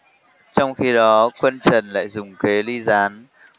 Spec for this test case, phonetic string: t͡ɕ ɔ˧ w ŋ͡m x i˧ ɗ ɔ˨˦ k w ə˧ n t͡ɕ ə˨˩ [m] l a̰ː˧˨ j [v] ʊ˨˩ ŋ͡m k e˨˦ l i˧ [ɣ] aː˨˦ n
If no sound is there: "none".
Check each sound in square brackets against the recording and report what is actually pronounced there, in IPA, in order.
n, z, z

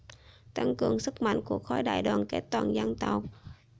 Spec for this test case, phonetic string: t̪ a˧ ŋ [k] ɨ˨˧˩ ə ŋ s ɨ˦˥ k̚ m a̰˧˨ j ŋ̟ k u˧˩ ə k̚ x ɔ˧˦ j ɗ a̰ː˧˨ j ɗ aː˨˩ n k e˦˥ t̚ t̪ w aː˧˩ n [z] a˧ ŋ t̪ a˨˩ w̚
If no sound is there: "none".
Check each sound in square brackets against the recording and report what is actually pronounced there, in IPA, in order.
k, z

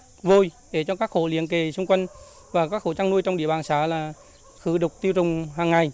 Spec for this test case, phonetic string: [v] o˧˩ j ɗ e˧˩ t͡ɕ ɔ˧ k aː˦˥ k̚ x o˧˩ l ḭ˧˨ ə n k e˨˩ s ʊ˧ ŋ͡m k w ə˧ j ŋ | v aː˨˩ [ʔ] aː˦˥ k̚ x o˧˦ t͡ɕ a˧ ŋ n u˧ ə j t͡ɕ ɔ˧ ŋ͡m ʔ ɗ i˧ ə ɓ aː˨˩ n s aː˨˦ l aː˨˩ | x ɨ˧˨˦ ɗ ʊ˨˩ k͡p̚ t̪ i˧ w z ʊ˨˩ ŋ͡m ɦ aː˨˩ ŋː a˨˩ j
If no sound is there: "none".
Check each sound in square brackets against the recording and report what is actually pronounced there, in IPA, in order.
v, k

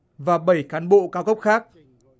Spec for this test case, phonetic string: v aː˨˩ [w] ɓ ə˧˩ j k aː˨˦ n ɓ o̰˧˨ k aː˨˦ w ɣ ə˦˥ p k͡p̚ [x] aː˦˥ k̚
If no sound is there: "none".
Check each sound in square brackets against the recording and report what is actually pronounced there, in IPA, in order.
none, x

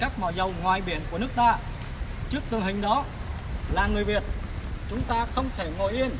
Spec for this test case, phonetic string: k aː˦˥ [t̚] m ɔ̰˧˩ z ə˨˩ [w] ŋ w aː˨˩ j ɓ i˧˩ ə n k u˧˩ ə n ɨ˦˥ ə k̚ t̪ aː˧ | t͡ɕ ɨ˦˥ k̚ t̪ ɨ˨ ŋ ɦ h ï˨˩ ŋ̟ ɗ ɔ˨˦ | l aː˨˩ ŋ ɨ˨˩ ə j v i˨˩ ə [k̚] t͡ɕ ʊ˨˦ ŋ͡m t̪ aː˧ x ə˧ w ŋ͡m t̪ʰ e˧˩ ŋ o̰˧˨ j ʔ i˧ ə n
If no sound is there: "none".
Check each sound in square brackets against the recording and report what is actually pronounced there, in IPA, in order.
k̚, w, t̚

